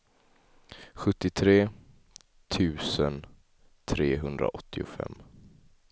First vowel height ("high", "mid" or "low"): mid